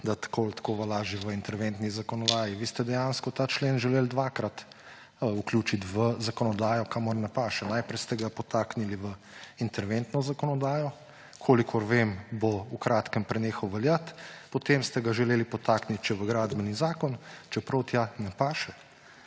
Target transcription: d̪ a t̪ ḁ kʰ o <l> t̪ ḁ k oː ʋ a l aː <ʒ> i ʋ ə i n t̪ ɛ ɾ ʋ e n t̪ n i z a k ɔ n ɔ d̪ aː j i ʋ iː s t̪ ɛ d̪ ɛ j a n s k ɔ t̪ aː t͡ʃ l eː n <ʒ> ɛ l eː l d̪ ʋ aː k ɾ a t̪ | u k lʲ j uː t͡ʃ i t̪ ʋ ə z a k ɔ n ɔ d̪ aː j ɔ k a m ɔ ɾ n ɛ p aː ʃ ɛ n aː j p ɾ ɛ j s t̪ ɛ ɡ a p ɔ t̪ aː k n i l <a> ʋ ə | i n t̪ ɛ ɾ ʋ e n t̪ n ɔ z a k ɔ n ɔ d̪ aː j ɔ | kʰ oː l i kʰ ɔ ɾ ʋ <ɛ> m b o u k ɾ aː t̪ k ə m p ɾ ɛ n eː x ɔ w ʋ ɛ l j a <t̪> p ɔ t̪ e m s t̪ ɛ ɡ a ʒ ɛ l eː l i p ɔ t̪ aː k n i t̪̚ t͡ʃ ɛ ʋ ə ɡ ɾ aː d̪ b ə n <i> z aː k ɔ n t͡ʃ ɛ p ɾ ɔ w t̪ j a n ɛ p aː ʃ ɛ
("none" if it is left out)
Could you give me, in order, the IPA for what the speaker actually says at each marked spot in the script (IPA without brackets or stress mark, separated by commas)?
l, ʒ, ʒ, i, e, t̪, i